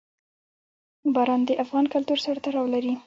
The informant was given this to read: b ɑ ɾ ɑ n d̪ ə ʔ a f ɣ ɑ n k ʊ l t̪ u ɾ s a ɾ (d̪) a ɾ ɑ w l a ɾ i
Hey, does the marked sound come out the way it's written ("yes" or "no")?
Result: no